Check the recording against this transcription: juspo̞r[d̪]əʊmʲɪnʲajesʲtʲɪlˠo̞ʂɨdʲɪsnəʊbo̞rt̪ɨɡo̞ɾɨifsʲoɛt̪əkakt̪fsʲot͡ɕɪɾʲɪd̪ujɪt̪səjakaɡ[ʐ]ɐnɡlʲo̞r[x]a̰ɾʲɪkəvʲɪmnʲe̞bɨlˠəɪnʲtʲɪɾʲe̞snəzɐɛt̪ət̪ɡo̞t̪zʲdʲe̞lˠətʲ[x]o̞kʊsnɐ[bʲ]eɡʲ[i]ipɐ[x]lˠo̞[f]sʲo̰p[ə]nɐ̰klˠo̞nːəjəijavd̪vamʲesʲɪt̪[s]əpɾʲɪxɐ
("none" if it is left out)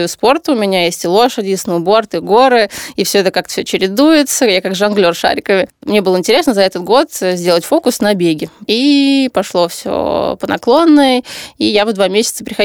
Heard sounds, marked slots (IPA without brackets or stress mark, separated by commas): t̪, ʐ, ʂ, f, bʲ, ɪ, ʂ, f, ə, s